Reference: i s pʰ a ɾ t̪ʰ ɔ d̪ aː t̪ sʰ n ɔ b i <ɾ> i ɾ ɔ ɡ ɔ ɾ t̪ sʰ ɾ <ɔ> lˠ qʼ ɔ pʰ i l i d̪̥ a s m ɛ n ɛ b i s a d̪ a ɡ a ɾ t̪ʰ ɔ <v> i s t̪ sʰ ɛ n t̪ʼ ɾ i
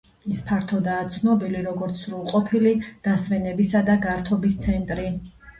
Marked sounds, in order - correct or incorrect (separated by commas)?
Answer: incorrect, incorrect, incorrect